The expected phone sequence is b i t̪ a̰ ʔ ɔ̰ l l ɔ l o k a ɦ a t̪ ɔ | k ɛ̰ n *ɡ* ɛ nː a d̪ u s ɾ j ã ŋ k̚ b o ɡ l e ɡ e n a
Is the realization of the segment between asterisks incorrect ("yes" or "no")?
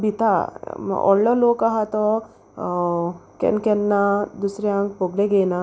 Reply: yes